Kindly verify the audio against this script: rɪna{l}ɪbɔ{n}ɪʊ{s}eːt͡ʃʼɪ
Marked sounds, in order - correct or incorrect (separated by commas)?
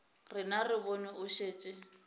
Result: incorrect, correct, incorrect